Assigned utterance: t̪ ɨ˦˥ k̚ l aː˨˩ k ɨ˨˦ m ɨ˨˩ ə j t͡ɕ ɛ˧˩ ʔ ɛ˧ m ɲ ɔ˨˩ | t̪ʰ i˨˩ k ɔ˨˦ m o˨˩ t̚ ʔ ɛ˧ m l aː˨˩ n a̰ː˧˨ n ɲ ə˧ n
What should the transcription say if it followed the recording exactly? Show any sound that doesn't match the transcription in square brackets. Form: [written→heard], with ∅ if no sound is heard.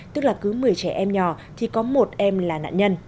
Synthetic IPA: t̪ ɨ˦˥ k̚ l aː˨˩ k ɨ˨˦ m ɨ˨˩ ə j t͡ɕ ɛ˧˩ ʔ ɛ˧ m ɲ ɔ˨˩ | t̪ʰ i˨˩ k ɔ˨˦ m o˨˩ t̚ ʔ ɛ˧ m l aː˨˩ n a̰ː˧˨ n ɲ ə˧ n